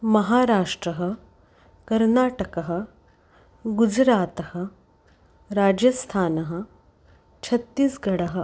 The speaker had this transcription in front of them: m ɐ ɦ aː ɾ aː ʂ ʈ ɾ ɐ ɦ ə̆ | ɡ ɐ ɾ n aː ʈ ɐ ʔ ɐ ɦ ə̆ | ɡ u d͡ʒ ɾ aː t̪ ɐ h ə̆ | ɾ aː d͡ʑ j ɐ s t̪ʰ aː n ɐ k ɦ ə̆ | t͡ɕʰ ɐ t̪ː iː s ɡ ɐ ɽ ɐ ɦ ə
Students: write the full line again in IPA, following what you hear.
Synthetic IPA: m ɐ ɦ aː ɾ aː ʂ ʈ ɾ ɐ ɦ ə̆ | k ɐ ɾ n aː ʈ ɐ k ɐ ɦ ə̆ | ɡ u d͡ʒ ɾ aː t̪ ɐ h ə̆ | ɾ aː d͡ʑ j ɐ s t̪ʰ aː n ɐ ɦ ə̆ | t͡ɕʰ ɐ t̪ː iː s ɡ ɐ ɽ ɐ ɦ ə

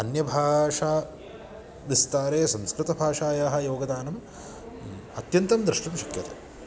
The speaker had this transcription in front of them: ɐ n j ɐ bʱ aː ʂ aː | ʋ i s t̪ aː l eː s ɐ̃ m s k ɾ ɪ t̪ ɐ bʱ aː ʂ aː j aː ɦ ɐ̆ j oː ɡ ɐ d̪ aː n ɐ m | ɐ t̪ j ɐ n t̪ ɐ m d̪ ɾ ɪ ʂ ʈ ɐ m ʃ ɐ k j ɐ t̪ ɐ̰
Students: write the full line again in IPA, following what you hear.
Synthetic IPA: ɐ n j ɐ bʱ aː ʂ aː | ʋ i s t̪ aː ɾ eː s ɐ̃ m s k ɾ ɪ t̪ ɐ bʱ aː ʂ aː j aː ɦ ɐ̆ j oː ɡ ɐ d̪ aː n ɐ m | ɐ t̪ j ɐ n t̪ ɐ m d̪ ɾ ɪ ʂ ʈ ɐ m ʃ ɐ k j ɐ t̪ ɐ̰

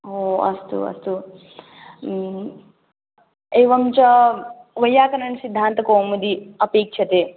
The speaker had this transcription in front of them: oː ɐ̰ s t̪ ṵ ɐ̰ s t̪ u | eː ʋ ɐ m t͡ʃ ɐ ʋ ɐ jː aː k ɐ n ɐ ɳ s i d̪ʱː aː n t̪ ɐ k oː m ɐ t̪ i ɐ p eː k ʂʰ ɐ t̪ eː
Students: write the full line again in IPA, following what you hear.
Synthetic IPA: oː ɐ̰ s t̪ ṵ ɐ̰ s t̪ u | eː ʋ ɐ m t͡ʃ ɐ ʋ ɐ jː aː k ɐ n ɐ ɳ s i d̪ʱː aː n t̪ ɐ k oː m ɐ d̪ i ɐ p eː k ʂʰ ɐ t̪ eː

